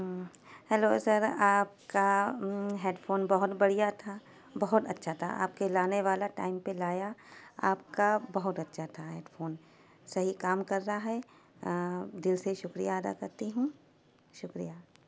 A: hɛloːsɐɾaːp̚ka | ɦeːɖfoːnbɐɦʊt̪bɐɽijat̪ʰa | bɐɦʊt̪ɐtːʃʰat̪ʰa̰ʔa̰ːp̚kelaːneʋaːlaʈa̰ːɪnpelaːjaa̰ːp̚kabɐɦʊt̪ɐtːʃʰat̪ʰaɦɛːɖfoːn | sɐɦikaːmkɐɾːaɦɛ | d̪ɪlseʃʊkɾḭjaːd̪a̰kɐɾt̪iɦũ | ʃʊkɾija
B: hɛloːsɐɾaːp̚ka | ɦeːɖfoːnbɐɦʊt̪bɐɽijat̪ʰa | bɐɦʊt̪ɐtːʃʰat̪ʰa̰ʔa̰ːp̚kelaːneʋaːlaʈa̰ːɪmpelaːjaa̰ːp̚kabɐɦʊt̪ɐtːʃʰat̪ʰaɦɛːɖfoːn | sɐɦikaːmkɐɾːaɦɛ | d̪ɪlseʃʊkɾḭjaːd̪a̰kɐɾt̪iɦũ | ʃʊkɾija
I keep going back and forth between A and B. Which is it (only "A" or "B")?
B